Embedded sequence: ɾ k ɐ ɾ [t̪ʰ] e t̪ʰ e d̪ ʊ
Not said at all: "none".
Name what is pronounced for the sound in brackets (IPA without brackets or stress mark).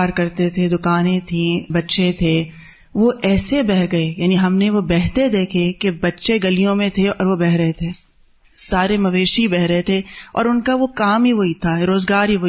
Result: t̪